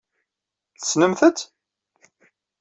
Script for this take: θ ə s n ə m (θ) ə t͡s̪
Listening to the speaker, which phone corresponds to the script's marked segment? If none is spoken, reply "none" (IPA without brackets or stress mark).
θ